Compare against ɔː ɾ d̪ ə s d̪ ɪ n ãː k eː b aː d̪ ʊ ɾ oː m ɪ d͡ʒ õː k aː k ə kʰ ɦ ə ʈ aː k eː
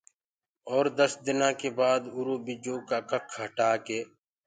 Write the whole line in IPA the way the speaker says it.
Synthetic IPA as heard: ɔː ɾ d̪ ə s d̪ ɪ n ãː k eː b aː d̪ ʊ ɾ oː b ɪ d͡ʒ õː k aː k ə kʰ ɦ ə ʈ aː k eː